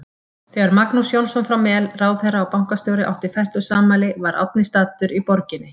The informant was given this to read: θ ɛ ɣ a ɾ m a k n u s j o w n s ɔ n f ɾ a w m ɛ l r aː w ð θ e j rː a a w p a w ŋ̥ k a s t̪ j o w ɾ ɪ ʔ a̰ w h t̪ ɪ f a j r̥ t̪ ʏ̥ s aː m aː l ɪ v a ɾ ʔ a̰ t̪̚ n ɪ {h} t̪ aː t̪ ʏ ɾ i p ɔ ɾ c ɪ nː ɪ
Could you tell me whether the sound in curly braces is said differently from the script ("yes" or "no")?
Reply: yes